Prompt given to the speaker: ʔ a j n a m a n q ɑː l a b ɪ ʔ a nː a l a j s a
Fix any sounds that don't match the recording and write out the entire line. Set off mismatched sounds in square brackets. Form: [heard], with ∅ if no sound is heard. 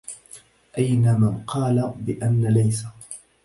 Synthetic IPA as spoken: ʔ a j n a m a n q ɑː l a b ɪ ʔ a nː a l a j s a